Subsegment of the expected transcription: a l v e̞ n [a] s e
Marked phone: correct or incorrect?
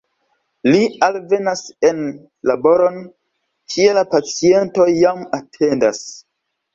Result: correct